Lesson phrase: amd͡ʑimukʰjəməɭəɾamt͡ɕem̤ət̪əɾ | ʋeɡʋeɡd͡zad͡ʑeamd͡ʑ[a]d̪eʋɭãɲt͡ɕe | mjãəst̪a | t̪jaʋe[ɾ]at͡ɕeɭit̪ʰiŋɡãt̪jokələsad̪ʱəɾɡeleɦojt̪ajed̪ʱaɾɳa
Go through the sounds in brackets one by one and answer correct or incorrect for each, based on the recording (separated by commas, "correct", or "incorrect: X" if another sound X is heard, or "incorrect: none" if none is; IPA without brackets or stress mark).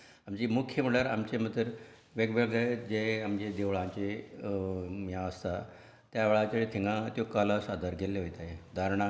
incorrect: e, incorrect: ɭ